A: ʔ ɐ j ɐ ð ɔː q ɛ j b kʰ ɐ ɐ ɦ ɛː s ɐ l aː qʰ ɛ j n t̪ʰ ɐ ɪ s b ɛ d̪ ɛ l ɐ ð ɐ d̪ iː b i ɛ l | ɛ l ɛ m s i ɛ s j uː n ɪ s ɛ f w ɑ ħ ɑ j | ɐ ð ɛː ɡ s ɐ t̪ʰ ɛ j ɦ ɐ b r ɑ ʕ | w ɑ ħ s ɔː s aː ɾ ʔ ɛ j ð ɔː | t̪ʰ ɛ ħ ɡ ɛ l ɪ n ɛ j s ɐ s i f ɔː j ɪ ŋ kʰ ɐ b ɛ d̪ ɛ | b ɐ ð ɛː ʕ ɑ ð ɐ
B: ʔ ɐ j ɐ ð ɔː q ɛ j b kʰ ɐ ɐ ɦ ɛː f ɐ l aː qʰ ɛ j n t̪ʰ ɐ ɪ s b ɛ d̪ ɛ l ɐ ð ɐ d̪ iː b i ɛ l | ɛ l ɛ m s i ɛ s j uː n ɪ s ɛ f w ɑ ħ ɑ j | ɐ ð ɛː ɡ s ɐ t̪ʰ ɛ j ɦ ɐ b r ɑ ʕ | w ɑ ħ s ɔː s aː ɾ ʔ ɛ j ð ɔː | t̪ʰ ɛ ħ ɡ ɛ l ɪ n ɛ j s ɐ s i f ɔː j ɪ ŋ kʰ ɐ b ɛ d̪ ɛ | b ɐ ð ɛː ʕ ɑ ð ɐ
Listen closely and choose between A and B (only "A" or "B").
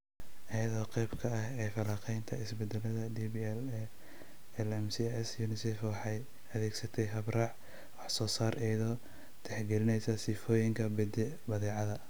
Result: B